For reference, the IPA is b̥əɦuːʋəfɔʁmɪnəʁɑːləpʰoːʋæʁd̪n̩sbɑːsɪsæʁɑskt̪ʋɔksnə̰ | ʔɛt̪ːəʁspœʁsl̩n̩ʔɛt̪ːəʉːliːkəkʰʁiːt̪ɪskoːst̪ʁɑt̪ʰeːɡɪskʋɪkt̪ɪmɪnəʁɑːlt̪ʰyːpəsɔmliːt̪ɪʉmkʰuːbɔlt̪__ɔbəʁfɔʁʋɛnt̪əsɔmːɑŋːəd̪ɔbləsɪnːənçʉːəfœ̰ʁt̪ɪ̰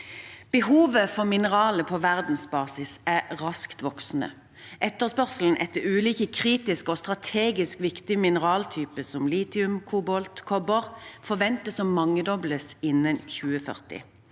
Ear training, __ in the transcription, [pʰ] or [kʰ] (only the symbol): kʰ